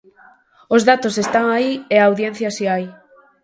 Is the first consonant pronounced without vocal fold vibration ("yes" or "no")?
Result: no